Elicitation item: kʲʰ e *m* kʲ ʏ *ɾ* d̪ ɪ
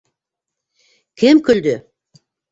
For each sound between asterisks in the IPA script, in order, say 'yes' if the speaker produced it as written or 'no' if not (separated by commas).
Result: yes, no